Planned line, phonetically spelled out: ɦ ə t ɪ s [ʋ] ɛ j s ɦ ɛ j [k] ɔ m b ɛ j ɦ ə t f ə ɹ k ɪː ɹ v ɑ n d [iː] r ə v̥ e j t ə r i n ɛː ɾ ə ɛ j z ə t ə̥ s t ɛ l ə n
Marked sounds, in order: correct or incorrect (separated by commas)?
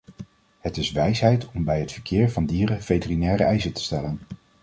correct, incorrect, correct